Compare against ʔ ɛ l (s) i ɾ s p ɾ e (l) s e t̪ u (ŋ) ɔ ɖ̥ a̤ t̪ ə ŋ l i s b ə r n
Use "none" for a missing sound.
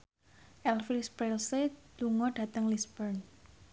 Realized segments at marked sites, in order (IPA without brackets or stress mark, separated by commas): f, l, ŋ